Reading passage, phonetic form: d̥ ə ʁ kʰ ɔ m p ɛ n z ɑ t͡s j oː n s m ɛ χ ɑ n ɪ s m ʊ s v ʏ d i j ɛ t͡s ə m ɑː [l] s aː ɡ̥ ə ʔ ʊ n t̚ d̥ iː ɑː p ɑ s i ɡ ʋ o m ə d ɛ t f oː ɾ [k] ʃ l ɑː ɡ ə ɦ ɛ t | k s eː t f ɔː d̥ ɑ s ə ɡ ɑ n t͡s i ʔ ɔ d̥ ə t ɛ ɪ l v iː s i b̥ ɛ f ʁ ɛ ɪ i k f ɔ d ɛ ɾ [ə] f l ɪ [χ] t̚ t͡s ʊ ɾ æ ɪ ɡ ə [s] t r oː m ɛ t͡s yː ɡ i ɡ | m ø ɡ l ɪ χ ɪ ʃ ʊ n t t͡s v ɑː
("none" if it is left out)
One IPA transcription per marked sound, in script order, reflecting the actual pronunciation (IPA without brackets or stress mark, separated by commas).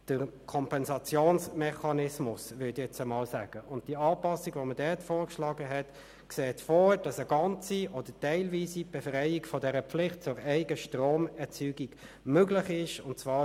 l, k, ə, χ, ʃ